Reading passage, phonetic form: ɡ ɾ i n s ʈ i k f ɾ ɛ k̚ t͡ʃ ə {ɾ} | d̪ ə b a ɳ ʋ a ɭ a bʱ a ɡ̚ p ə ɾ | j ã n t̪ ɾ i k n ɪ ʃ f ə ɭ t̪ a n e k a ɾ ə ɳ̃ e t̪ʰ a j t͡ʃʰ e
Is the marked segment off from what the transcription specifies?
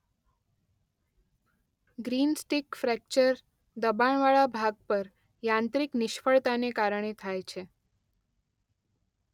no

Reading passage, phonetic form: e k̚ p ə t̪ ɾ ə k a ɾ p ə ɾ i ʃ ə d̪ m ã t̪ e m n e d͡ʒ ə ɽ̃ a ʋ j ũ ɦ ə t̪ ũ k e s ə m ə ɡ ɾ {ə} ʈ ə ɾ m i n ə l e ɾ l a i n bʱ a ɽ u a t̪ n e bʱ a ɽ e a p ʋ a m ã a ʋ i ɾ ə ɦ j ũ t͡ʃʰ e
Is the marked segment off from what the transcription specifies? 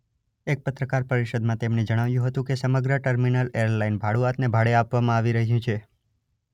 no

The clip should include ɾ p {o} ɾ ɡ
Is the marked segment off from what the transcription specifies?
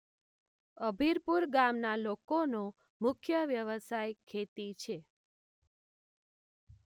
yes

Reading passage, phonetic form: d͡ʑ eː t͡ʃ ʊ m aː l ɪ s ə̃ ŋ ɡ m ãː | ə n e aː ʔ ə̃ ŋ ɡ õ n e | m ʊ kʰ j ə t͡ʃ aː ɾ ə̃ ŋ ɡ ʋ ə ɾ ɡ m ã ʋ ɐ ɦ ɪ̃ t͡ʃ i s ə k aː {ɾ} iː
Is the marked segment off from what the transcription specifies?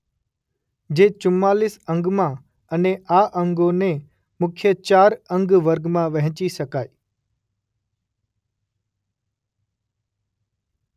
yes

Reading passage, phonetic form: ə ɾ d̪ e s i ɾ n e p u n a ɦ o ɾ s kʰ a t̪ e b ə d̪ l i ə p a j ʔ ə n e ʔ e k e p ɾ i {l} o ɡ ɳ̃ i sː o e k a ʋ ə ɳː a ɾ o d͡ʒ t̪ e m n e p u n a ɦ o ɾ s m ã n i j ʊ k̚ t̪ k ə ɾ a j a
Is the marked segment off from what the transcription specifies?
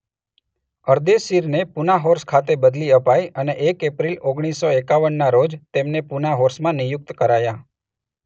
no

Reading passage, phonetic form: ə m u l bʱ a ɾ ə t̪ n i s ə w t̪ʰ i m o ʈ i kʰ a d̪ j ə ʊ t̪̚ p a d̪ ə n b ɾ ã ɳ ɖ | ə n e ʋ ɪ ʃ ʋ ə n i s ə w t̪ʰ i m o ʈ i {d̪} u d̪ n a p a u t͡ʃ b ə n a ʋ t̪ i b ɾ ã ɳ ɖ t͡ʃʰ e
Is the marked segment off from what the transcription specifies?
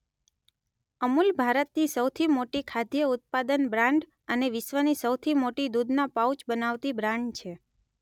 no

